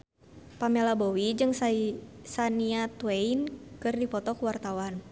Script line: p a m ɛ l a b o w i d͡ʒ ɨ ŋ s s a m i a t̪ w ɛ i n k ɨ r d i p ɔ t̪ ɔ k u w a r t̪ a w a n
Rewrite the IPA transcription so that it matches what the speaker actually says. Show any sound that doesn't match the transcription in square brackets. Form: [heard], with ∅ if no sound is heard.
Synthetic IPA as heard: p a m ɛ l a b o w i d͡ʒ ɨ ŋ s s a [n] i a t̪ w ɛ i n k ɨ r d i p ɔ t̪ ɔ k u w a r t̪ a w a n